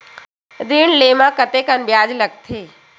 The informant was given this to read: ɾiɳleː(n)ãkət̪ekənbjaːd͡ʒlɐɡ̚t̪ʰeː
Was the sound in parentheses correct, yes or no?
no